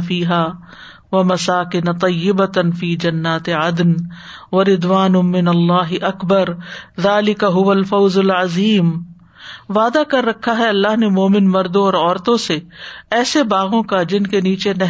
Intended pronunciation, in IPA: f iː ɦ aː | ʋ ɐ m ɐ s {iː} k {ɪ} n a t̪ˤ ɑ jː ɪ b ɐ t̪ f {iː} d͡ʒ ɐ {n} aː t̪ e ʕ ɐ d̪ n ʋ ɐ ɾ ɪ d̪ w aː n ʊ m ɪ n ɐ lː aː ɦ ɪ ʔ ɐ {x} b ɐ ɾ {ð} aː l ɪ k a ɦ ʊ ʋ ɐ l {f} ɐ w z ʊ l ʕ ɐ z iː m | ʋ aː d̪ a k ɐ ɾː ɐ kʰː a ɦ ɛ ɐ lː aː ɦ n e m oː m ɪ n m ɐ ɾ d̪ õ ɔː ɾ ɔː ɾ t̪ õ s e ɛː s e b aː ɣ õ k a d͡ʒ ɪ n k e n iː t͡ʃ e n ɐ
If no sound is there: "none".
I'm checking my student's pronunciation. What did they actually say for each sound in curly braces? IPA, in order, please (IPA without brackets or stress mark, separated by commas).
aː, ɪ, iː, nː, k, ð, f